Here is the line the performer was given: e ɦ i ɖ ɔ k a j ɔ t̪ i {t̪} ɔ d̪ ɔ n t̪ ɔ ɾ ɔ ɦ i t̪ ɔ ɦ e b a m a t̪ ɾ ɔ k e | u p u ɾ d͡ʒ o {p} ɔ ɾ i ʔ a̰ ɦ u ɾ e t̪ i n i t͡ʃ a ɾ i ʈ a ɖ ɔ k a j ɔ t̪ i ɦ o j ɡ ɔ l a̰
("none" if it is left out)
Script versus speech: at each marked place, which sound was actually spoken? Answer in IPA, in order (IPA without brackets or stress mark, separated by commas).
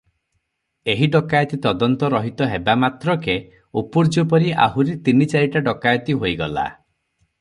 t̪, p